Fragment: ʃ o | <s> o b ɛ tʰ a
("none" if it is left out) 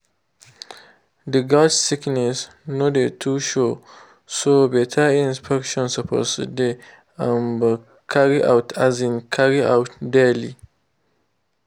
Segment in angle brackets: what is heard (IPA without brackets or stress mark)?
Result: s